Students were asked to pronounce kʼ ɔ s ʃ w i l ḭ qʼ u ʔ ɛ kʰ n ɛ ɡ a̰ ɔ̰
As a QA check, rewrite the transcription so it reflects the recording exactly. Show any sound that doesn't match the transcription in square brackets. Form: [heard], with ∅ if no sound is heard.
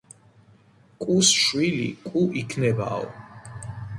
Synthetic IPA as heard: kʼ [u] s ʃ w i l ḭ [kʼ] u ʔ [i] kʰ n ɛ [b] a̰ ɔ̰